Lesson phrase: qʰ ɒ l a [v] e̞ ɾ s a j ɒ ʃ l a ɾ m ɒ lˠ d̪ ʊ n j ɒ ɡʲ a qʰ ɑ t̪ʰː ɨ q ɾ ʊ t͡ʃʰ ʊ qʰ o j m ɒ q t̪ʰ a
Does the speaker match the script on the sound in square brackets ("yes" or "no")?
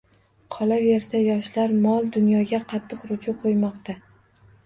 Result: yes